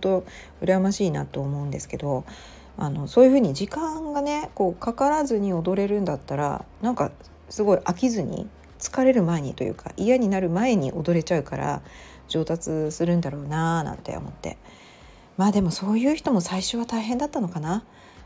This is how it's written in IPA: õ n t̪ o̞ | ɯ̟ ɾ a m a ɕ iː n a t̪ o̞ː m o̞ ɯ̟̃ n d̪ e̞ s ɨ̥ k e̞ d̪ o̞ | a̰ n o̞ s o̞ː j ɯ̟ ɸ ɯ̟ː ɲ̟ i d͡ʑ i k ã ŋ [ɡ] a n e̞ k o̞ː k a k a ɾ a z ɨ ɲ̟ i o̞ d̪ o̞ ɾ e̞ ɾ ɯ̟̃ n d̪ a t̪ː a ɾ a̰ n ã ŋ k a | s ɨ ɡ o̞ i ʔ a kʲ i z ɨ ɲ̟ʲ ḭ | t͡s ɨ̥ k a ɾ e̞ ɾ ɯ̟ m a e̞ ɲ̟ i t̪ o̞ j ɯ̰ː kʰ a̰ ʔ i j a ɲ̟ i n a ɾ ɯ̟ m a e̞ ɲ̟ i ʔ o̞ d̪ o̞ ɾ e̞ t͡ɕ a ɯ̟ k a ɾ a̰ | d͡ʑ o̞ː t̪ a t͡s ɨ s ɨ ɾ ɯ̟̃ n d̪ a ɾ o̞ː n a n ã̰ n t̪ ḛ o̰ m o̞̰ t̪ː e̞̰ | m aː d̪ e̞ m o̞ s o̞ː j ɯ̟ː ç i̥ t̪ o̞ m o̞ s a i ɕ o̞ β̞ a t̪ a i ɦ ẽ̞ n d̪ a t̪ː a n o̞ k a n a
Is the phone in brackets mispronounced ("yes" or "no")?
no